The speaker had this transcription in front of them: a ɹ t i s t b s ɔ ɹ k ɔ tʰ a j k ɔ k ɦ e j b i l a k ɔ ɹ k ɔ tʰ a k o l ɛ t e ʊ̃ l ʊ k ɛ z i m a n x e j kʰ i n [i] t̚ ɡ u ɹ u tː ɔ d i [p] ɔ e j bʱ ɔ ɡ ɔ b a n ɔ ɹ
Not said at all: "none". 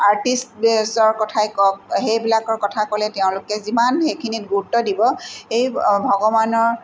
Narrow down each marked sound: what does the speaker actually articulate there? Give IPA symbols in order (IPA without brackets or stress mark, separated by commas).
i, b